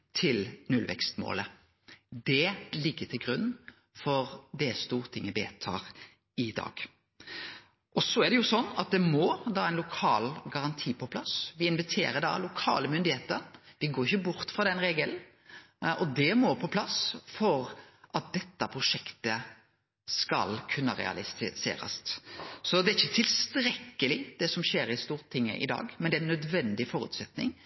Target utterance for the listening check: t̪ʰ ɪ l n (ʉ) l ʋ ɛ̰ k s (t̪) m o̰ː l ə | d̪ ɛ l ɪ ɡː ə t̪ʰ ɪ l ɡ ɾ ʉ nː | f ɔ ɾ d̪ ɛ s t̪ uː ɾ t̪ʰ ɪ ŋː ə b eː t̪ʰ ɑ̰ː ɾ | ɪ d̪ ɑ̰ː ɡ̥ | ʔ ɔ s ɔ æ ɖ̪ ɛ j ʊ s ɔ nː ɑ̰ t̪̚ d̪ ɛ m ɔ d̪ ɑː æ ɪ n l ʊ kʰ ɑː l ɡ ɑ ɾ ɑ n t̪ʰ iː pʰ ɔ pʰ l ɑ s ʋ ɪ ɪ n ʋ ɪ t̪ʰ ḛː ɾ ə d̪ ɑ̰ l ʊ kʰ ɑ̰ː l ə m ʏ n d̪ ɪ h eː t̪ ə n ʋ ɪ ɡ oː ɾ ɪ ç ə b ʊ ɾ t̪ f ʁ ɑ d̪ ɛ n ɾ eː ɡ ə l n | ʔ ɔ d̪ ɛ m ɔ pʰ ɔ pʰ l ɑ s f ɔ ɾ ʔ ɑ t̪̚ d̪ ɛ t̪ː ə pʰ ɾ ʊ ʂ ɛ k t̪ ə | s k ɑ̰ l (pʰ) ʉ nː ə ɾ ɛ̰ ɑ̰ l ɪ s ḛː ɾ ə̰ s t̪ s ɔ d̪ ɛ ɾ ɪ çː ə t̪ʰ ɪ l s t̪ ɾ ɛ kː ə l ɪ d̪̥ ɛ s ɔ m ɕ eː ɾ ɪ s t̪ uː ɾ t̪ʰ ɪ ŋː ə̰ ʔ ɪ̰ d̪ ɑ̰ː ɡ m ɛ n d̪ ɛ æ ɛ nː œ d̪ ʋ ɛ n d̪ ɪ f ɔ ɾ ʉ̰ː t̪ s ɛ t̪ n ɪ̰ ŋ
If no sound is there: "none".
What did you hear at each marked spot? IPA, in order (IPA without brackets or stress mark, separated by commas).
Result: ʉ, t̪, kʰ